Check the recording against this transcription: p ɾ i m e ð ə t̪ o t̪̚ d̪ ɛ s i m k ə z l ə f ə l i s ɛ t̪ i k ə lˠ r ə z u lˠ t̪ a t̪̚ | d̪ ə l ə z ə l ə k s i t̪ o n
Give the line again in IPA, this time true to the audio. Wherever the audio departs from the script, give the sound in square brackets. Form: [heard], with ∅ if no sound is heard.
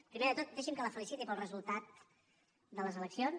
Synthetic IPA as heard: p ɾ i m e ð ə t̪ o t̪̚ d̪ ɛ [ʃ] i m k ə [∅] l ə f ə l i s [i] t̪ i [p] ə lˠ r ə z u lˠ t̪ a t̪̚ | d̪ ə l ə z ə l ə k s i [∅] o n